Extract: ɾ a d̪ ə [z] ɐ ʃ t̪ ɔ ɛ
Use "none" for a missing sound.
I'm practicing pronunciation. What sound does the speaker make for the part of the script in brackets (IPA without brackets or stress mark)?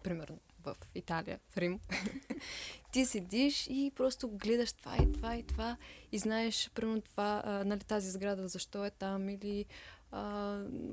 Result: z